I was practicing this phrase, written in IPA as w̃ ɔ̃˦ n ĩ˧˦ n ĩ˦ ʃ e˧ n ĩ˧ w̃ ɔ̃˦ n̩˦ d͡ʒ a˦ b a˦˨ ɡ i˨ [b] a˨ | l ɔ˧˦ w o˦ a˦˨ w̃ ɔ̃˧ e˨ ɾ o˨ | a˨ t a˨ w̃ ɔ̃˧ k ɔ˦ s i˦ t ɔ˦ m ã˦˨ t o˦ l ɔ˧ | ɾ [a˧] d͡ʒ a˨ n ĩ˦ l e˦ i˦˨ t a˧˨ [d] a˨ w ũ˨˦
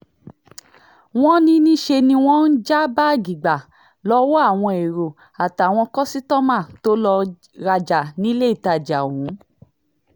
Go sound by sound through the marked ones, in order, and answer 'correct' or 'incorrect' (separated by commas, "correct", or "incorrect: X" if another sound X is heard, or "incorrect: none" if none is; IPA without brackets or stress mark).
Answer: incorrect: ɡ͡b, correct, incorrect: d͡ʒ